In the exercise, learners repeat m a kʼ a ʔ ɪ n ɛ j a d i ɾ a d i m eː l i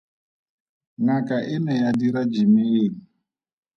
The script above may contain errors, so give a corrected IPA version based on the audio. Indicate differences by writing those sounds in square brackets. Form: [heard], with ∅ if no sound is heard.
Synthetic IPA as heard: [ŋ] a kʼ a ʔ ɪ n ɛ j a d i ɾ a [d͡ʒ] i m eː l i